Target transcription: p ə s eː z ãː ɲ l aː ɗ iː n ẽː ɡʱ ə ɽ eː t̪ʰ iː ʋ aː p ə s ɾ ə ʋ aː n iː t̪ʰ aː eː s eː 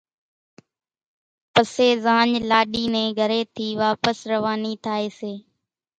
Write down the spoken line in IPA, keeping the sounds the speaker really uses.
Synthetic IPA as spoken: p ə s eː z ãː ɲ l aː ɗ iː n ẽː ɡʱ ə ɾ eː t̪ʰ iː ʋ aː p ə s ɾ ə ʋ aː n iː t̪ʰ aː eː s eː